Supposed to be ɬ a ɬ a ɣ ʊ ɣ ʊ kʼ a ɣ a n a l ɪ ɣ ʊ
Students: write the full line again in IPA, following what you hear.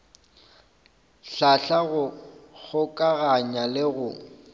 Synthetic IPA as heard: ɬ a ɬ a ɣ ʊ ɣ ʊ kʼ a ɣ a ɲ a l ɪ ɣ ʊ